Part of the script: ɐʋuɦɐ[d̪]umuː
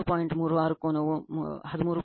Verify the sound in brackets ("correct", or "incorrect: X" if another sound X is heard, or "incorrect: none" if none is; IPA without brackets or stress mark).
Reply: correct